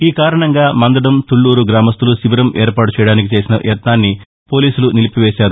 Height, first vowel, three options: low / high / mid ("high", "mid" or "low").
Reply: high